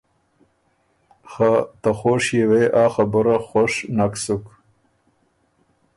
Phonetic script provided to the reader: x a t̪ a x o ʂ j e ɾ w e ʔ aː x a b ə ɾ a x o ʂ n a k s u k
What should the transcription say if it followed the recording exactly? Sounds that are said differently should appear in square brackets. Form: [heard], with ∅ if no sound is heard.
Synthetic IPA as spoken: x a t̪ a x o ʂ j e [∅] w e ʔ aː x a b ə ɾ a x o ʂ n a k s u k

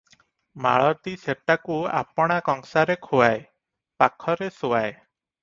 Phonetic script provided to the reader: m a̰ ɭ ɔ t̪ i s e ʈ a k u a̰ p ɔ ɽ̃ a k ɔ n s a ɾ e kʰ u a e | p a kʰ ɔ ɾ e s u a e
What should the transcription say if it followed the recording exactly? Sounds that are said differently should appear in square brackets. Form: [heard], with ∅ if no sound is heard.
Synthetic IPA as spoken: m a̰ ɭ ɔ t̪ i s e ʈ a k u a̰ p ɔ ɽ̃ a k ɔ [ŋ] s a ɾ e kʰ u a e | p a kʰ ɔ ɾ e s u a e

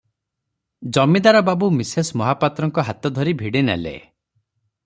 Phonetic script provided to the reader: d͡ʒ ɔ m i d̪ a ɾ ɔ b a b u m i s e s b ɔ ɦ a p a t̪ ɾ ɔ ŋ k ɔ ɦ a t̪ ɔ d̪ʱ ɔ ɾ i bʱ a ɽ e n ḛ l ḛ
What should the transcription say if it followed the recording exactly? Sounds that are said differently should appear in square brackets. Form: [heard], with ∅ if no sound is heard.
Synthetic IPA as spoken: d͡ʒ ɔ m i d̪ a ɾ ɔ b a b u m i s e s [m] ɔ ɦ a p a t̪ ɾ ɔ ŋ k ɔ ɦ a t̪ ɔ d̪ʱ ɔ ɾ i bʱ [i] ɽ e n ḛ l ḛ

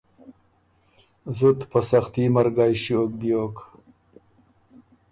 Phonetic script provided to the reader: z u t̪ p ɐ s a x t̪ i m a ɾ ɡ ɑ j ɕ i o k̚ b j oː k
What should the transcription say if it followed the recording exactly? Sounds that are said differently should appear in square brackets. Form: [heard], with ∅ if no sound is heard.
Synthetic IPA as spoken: z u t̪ p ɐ s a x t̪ i m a ɾ ɡ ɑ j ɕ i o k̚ b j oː k

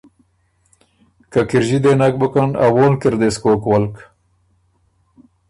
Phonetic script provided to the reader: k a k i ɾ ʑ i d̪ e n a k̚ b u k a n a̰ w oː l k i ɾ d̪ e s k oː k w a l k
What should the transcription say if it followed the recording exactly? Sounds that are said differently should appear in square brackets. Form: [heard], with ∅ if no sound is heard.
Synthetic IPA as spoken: k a k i ɾ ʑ i d̪ e n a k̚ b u k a n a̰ w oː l k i ɾ d̪ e s k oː k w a l k

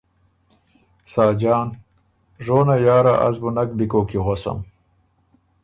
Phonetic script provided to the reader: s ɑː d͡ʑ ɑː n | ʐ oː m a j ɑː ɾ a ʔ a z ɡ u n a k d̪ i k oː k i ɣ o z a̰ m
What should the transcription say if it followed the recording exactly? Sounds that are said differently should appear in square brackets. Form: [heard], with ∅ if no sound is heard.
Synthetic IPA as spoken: s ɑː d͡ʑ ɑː n | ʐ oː [n] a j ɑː ɾ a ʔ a z [b] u n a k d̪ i k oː k i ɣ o [s] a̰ m

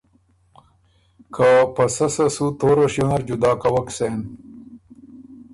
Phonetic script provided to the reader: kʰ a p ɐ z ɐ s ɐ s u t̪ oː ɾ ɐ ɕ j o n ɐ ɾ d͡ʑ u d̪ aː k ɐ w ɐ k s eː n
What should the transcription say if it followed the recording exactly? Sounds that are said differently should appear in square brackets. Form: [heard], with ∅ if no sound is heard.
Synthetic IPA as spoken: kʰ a p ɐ [s] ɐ s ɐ s u t̪ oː ɾ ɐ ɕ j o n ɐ ɾ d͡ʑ u d̪ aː k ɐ w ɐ k s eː n

